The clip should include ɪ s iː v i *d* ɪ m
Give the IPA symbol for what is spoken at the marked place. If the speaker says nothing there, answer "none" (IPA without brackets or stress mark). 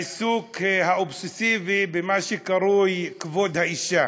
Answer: b